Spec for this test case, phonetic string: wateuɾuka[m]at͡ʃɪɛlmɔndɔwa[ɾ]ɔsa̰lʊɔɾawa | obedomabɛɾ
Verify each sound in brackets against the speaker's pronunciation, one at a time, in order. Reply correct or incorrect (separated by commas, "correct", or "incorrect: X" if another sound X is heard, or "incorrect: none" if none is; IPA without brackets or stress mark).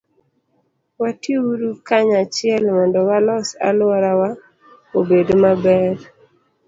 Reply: incorrect: ɲ, incorrect: l